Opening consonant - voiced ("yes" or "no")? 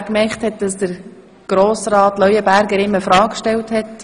no